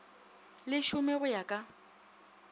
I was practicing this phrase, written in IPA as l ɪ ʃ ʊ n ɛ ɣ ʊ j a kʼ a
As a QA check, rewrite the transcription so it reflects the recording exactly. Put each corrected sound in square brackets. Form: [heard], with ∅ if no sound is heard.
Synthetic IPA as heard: l ɪ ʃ ʊ [m] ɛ ɣ ʊ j a kʼ a